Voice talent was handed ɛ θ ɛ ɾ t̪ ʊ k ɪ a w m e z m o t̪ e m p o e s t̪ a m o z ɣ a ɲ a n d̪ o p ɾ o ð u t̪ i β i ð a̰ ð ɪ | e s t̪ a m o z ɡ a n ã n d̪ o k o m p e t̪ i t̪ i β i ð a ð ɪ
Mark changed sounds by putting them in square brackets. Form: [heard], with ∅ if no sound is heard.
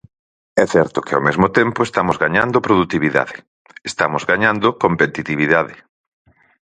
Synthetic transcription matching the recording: ɛ θ ɛ ɾ t̪ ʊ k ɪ a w m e z m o t̪ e m p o e s t̪ a m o z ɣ a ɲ a n d̪ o p ɾ o ð u t̪ i β i ð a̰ ð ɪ | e s t̪ a m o z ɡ a [ɲ] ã n d̪ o k o m p e t̪ i t̪ i β i ð a ð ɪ